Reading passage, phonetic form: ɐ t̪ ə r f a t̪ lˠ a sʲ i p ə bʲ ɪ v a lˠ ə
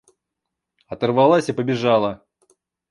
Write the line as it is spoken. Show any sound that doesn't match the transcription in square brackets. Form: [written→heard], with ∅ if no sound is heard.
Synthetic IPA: ɐ t̪ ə r [f→v] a [t̪→∅] lˠ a sʲ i p ə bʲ ɪ [v→ʐ] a lˠ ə